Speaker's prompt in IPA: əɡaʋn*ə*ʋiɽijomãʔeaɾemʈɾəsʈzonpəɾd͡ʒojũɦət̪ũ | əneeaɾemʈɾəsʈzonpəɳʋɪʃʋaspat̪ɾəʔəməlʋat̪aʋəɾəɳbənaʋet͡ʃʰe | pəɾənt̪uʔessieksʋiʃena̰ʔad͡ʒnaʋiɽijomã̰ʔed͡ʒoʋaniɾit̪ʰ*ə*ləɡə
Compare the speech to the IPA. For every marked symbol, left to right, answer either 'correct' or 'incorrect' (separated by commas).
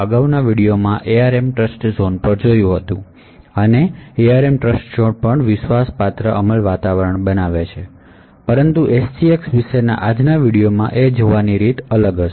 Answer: incorrect, correct